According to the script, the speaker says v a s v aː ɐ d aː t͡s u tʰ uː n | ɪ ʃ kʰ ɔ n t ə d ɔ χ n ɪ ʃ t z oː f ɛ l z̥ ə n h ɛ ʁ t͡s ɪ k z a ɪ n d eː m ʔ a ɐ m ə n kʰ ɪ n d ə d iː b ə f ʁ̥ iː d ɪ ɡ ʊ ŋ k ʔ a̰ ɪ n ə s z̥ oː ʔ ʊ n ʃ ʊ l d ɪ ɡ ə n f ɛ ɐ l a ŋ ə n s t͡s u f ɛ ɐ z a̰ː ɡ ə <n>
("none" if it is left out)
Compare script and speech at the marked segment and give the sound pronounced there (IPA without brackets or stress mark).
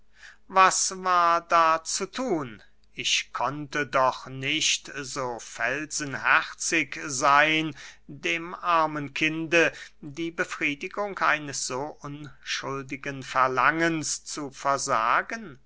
n